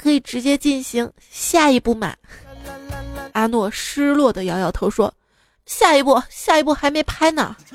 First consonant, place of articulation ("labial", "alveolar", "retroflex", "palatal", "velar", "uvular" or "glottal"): velar